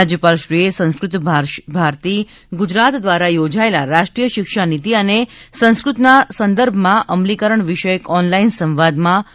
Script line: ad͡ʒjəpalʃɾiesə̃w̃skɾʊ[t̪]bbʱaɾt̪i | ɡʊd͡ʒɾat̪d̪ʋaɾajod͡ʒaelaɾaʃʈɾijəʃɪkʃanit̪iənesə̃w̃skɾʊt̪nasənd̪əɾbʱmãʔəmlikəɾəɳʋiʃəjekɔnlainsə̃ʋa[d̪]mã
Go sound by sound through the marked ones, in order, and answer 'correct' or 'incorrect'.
correct, correct

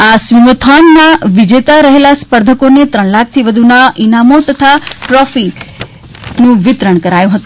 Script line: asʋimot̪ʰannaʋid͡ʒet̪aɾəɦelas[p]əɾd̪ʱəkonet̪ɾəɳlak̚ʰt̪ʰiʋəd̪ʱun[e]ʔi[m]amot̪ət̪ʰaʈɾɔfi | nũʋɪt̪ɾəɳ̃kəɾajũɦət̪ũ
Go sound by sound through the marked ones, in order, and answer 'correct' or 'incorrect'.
correct, incorrect: a, incorrect: n

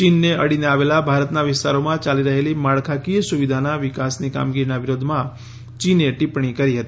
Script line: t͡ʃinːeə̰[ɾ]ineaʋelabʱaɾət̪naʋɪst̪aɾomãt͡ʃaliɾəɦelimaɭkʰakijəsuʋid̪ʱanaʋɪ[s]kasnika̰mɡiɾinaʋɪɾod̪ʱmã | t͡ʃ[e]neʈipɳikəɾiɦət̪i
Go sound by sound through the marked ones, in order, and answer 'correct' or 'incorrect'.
incorrect: ɽ, incorrect: none, incorrect: i

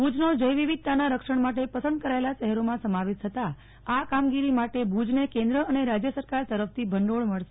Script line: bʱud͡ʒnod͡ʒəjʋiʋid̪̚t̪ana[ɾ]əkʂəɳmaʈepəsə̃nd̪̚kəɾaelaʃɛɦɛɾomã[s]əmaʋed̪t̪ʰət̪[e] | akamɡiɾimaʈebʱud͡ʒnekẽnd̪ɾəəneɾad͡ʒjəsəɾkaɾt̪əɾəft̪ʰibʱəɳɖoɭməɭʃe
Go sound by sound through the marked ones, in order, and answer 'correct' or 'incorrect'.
correct, correct, incorrect: a

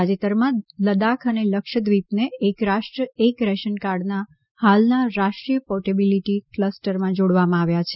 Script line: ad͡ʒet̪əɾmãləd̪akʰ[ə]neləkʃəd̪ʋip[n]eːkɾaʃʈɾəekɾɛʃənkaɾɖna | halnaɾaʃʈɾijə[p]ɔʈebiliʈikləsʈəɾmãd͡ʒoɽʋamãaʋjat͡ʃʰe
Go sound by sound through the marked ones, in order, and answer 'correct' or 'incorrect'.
correct, correct, correct

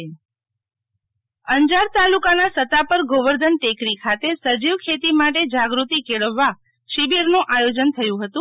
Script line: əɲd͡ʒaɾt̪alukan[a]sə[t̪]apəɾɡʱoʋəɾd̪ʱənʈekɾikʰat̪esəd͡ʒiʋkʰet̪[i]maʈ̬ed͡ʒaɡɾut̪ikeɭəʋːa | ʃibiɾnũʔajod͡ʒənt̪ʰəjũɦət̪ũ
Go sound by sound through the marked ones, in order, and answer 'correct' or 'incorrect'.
correct, correct, correct

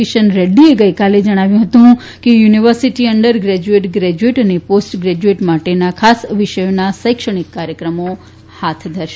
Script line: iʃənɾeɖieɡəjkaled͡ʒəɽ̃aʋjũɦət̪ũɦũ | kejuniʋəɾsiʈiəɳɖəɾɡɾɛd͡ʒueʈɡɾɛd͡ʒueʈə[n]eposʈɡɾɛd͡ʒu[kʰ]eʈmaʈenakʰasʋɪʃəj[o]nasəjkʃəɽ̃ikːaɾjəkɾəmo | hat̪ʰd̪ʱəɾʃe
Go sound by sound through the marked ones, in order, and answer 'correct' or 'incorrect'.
correct, incorrect: none, correct

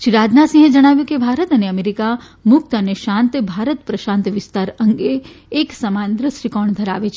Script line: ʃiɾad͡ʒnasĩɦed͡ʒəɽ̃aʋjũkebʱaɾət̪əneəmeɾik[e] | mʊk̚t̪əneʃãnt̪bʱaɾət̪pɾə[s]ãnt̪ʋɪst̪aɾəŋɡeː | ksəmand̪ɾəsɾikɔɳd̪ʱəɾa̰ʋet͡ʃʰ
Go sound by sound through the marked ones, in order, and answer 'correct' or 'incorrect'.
incorrect: a, incorrect: ʃ

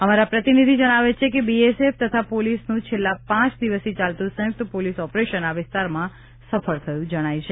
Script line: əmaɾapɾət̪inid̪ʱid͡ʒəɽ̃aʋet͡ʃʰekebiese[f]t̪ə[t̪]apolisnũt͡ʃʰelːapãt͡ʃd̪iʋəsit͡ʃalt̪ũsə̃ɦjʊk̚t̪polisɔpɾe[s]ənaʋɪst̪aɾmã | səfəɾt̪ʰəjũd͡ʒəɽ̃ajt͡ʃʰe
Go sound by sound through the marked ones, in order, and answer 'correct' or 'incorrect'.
correct, incorrect: t̪ʰ, incorrect: ʃ

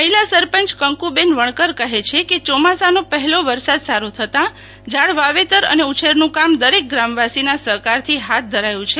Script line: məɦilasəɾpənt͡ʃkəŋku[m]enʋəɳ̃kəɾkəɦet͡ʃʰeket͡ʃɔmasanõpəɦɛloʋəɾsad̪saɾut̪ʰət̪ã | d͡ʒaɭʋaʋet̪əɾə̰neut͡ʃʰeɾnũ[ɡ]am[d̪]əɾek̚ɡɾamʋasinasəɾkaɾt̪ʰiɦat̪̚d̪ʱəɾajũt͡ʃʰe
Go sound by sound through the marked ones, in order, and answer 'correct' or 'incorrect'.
incorrect: b, incorrect: k, correct

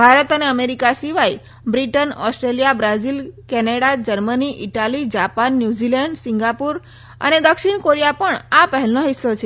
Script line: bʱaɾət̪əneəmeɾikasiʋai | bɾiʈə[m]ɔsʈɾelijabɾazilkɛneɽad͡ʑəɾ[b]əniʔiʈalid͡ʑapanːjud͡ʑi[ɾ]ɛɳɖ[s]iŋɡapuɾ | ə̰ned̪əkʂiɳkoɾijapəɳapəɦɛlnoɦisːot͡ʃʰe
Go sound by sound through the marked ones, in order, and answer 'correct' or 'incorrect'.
incorrect: n, incorrect: m, incorrect: l, correct

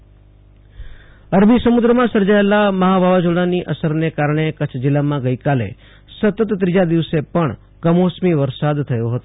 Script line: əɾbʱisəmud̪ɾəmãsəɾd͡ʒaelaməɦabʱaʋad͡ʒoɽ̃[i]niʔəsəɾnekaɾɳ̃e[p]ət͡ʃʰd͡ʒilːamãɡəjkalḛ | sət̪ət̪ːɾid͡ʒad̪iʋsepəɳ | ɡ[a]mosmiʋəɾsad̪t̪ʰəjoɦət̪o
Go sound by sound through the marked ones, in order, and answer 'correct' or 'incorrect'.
incorrect: a, incorrect: k, incorrect: ə

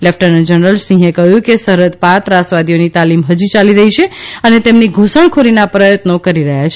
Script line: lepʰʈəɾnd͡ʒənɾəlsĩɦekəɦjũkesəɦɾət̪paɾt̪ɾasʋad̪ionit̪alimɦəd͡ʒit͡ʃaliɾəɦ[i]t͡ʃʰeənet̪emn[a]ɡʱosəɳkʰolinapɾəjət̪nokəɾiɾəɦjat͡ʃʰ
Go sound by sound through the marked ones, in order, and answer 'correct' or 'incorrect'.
correct, incorrect: i

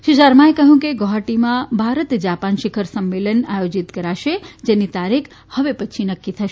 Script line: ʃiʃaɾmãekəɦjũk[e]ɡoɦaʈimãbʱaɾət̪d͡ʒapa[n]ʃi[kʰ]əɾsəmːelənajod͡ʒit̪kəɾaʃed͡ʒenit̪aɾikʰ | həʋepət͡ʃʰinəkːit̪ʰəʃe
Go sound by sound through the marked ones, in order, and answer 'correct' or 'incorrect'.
correct, correct, correct

